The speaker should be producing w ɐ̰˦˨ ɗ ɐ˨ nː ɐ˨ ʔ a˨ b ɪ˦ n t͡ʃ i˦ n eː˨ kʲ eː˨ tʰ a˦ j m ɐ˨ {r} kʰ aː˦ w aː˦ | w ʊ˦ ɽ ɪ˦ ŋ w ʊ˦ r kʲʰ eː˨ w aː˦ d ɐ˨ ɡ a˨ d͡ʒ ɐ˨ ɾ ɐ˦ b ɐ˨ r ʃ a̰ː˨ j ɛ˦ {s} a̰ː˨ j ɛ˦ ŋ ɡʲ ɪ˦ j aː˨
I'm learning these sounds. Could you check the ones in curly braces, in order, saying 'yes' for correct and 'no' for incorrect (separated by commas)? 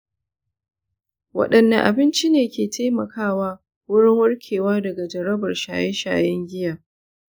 no, no